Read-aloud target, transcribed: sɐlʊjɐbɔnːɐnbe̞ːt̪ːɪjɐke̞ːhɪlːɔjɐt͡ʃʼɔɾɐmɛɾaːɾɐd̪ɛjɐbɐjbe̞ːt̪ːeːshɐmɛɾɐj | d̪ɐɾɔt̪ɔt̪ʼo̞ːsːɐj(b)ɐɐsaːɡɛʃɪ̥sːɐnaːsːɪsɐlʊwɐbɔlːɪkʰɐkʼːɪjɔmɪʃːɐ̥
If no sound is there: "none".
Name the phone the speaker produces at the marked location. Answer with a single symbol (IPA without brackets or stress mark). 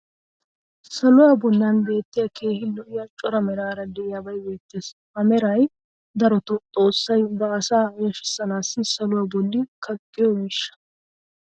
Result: b